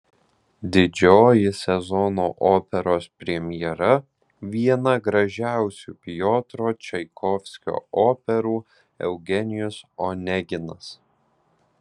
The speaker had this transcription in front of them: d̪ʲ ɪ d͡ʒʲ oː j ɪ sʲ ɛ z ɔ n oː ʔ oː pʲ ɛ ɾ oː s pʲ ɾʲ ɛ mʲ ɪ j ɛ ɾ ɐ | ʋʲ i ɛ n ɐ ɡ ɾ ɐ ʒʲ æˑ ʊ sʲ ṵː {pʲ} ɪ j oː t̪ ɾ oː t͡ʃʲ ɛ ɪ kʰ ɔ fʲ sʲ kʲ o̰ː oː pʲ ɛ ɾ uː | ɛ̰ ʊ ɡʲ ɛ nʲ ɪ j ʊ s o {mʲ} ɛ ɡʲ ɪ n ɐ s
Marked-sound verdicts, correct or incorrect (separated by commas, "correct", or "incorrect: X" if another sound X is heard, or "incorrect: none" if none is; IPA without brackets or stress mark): correct, incorrect: nʲ